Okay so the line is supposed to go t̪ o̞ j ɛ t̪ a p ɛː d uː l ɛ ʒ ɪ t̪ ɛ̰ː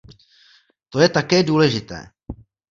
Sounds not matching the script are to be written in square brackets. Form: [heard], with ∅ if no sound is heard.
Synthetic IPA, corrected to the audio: t̪ o̞ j ɛ t̪ a [k] ɛː d uː l ɛ ʒ ɪ t̪ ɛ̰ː